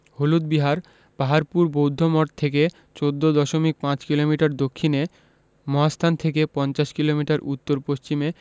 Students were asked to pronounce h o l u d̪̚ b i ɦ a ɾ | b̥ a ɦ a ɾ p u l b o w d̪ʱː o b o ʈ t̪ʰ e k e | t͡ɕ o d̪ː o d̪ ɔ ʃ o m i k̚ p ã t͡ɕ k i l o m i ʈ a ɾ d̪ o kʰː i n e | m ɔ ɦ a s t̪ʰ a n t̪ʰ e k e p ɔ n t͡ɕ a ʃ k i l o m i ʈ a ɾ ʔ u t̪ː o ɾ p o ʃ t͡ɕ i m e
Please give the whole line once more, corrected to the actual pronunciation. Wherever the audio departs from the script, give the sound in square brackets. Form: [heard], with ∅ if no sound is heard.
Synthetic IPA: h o l u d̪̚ b i ɦ a ɾ | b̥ a ɦ a ɾ p u [ɾ] b o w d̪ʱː o [m] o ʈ t̪ʰ e k e | t͡ɕ o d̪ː o d̪ ɔ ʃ o m i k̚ p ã t͡ɕ k i l o m i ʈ a ɾ d̪ o kʰː i n e | m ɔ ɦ a s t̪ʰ a n t̪ʰ e k e p ɔ n t͡ɕ a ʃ k i l o m i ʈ a ɾ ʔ u t̪ː o ɾ p o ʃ t͡ɕ i m e